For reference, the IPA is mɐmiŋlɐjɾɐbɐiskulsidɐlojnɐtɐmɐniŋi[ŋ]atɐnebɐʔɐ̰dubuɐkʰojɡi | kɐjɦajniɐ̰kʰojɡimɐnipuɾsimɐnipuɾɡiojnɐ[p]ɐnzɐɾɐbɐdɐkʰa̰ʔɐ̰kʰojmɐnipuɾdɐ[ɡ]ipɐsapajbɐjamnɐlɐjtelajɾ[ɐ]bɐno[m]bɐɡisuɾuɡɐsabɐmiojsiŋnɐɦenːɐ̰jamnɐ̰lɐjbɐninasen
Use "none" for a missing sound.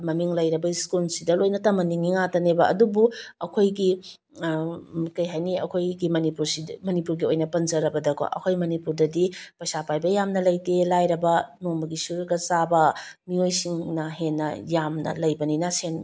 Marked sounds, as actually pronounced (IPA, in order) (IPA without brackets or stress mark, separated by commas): ŋ, p, d, ɐ, m